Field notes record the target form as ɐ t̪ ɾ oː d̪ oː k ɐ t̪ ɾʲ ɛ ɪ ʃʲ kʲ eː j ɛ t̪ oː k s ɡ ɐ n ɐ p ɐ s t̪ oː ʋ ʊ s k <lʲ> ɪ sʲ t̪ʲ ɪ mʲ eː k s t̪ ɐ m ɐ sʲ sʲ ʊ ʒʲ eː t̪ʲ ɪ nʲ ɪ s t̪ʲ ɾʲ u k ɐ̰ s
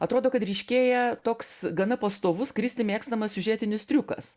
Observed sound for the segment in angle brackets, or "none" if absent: ɾʲ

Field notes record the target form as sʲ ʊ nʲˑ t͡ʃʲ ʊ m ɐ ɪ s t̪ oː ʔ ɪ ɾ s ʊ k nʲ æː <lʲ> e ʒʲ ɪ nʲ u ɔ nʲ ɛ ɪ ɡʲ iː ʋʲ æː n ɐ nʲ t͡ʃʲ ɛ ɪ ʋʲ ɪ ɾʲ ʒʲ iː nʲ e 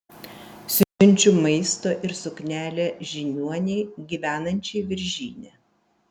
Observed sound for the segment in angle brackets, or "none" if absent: lʲ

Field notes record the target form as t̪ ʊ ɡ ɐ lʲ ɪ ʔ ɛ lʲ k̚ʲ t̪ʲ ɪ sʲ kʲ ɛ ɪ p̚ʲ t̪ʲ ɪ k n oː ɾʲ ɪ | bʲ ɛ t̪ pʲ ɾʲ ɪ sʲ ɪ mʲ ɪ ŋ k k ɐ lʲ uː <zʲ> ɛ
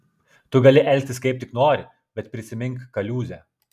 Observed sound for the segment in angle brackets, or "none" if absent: zʲ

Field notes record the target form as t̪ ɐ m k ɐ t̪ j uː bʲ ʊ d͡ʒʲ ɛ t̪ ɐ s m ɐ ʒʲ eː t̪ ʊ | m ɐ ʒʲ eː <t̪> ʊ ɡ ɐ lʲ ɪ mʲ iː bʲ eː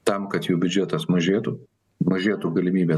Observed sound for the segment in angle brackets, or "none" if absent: t̪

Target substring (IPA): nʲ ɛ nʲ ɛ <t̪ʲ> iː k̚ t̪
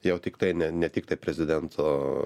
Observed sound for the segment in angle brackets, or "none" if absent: t̪ʲ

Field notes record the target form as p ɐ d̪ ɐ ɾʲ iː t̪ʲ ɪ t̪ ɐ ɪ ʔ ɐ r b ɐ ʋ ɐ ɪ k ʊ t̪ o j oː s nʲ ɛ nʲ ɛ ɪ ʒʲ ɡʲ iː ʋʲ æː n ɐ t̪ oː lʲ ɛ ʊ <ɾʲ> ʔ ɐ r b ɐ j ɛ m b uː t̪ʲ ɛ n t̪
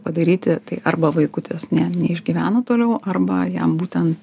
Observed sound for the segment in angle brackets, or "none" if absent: none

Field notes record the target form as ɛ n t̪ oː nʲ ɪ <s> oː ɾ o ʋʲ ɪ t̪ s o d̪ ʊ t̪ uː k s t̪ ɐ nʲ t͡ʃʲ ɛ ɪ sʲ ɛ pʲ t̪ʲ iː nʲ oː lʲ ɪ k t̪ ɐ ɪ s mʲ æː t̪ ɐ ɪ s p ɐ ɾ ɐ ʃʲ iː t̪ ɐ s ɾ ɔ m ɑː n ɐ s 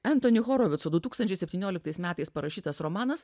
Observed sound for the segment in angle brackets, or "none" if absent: x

